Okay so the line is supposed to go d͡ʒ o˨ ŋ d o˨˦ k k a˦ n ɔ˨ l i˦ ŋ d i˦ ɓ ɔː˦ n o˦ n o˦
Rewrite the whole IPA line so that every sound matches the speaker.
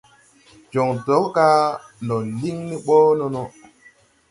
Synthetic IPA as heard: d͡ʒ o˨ ŋ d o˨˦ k k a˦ n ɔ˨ l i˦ ŋ n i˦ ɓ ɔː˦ n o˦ n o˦